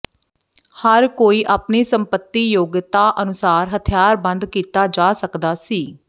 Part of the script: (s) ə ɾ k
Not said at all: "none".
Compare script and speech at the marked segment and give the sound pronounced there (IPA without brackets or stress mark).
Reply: h